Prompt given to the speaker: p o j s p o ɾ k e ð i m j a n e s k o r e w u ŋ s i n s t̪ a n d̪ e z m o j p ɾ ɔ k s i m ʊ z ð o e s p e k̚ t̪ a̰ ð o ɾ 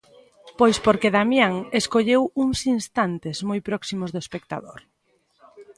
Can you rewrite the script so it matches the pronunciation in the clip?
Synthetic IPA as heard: p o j s p o ɾ k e ð a m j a ŋ e s k o ʎ e w u ŋ s i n s t̪ a n t̪ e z m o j p ɾ ɔ k s i m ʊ z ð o e s p e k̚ t̪ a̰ ð o ɾ